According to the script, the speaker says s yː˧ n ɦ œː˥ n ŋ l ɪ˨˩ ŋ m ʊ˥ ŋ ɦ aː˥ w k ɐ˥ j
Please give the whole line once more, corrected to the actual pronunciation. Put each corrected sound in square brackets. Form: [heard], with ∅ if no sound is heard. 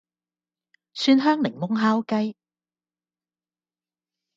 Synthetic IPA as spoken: s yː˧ n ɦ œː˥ [∅] ŋ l ɪ˨˩ ŋ m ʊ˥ ŋ ɦ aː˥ w k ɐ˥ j